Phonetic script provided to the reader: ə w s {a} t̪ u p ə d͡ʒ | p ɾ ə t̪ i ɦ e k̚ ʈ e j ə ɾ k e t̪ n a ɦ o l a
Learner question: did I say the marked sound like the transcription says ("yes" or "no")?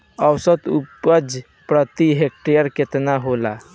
no